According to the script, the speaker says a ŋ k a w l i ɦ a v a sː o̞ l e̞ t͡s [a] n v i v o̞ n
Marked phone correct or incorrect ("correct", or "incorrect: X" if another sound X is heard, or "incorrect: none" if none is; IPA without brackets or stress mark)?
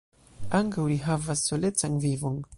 correct